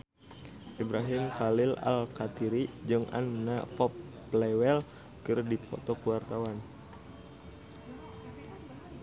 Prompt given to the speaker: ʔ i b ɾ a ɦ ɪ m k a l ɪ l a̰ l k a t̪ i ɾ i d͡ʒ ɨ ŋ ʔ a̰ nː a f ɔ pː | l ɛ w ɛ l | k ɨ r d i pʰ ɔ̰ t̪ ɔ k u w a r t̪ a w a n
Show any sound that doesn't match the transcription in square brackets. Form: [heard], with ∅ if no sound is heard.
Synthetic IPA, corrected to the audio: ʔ i b ɾ a ɦ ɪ m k a l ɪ l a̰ l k a t̪ i ɾ i d͡ʒ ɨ ŋ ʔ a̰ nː a f ɔ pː | l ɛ w ɛ l | k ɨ r d i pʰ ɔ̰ t̪ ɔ k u w a r t̪ a w a n